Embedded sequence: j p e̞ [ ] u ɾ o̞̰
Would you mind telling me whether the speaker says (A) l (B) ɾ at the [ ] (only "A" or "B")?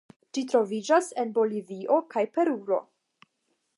B